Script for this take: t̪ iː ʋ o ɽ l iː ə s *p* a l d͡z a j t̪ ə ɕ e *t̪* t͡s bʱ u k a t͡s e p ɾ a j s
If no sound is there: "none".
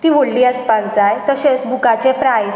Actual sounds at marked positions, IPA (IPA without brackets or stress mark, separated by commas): p, none